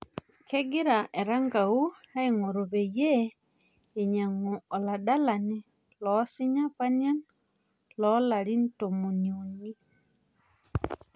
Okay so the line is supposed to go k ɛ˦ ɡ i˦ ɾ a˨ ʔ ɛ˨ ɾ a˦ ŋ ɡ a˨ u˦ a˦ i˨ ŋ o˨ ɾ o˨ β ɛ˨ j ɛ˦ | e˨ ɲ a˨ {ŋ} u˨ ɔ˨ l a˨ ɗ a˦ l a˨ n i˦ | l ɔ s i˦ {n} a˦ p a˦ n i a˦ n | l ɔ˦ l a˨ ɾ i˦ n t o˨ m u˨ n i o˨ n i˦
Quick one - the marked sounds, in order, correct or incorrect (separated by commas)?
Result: correct, incorrect